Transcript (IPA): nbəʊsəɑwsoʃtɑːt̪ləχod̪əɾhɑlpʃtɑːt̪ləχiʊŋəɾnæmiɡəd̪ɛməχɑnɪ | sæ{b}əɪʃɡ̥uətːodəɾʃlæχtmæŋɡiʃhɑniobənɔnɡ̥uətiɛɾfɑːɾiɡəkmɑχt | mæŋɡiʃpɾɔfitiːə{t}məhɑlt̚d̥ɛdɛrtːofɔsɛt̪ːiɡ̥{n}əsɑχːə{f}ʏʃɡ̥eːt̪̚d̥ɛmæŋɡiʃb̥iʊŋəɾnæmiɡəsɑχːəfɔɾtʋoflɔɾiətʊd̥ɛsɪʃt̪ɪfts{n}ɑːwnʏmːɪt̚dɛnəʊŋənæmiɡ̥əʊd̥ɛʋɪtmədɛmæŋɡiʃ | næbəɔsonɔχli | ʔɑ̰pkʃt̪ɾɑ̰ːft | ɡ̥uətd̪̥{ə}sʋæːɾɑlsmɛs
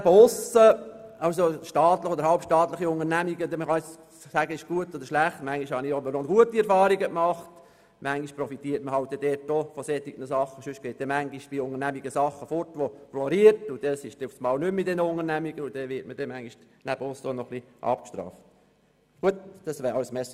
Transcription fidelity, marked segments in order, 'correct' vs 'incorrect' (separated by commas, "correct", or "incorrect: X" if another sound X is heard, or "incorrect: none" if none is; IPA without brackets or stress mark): incorrect: ɡ, correct, correct, incorrect: ʃ, incorrect: m, incorrect: ɑ